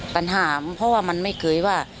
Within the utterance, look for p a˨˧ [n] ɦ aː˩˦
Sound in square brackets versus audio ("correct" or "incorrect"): correct